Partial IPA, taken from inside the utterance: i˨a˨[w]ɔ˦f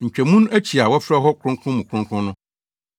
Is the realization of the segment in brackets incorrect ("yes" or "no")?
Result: no